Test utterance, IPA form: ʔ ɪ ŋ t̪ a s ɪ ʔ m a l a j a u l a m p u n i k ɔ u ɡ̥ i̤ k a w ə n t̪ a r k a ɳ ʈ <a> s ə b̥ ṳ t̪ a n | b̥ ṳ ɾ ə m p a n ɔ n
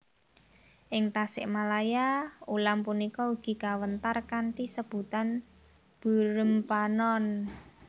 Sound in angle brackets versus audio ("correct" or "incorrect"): incorrect